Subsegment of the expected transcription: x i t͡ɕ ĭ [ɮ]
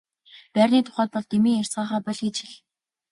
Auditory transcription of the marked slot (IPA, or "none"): ɮ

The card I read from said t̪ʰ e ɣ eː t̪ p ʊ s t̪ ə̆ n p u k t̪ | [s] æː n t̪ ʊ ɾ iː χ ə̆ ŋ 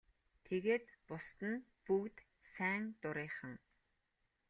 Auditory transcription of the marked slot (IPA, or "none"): s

